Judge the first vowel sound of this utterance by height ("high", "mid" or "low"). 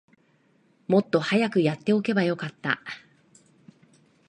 mid